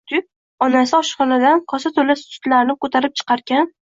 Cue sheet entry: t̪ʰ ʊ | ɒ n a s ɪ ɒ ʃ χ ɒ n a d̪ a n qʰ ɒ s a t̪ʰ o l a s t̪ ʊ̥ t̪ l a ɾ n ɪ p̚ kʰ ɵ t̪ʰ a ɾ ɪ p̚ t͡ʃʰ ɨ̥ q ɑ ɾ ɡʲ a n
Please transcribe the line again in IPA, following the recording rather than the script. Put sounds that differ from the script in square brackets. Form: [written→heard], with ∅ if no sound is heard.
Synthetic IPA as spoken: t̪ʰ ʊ | ɒ n a s ɪ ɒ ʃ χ ɒ n a d̪ a n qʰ ɒ s a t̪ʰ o l a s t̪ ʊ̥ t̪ l a ɾ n ɪ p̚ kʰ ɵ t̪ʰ a ɾ ɪ p̚ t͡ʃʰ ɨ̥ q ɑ ɾ ɡʲ a n